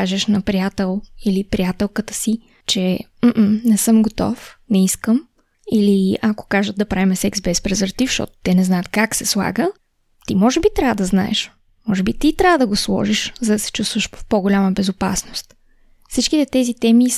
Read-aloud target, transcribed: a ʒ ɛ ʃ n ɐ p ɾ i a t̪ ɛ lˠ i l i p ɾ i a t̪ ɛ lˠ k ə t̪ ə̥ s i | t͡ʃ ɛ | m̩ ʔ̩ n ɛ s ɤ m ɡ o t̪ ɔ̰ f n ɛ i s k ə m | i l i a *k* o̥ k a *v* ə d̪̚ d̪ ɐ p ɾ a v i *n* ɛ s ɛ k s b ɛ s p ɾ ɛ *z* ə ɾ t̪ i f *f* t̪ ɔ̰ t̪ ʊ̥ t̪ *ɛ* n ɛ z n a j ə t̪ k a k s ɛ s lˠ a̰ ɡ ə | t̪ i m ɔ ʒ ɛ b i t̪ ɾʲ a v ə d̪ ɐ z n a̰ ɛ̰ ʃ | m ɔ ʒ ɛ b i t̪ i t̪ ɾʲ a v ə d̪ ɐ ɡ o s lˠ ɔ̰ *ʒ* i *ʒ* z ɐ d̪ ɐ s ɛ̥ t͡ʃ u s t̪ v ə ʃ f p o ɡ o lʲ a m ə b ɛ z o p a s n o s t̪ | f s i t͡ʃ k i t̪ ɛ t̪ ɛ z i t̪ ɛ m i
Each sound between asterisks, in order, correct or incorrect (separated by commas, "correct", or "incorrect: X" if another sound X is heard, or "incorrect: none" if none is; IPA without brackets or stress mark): correct, incorrect: ʒ, incorrect: m, correct, incorrect: ʃ, correct, correct, incorrect: ʃ